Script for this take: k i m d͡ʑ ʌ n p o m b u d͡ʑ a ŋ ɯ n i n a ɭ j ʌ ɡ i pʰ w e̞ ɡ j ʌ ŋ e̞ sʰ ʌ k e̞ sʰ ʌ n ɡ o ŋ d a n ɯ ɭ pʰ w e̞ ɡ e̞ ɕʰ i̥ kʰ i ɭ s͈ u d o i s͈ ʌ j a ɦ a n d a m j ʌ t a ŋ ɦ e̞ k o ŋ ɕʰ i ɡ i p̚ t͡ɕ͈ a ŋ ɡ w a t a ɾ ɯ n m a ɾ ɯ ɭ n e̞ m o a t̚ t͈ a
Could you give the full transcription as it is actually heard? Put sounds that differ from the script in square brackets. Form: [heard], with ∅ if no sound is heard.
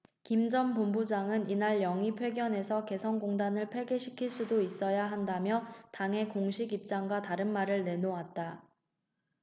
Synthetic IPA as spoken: k i m d͡ʑ ʌ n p o m b u d͡ʑ a ŋ ɯ n i n a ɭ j ʌ [ŋ] i pʰ w e̞ ɡ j ʌ [n] e̞ sʰ ʌ k e̞ sʰ ʌ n ɡ o ŋ d a n ɯ ɭ pʰ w e̞ ɡ e̞ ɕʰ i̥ kʰ i ɭ s͈ u d o i s͈ ʌ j a ɦ a n d a m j ʌ t a ŋ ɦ e̞ k o ŋ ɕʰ i ɡ i p̚ t͡ɕ͈ a ŋ ɡ w a t a ɾ ɯ n m a ɾ ɯ ɭ n e̞ [n] o a t̚ t͈ a